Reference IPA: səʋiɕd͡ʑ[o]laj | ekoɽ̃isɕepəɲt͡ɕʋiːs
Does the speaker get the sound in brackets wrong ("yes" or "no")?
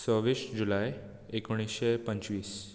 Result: yes